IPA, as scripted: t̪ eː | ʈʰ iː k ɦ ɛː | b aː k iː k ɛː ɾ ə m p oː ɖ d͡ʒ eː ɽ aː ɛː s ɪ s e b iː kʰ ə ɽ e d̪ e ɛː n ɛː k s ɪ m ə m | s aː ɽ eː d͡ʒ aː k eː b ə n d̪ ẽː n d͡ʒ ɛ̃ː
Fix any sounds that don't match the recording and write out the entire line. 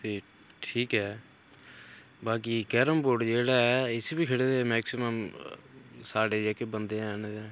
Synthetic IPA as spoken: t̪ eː | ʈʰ iː k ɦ ɛː | b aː k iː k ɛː ɾ ə m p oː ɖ d͡ʒ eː ɽ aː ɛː ɪ s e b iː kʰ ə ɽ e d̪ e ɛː m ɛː k s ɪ m ə m | s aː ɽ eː d͡ʒ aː k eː b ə n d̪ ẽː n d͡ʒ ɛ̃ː